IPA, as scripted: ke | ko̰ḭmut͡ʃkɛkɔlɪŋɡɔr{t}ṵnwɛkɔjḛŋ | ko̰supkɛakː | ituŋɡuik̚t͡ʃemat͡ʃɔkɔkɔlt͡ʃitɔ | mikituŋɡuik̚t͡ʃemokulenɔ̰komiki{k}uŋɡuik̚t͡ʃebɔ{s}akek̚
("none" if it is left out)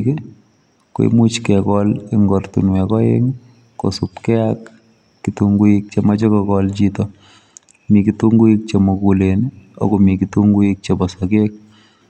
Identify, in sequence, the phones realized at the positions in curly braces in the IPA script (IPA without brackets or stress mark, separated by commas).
t, t, s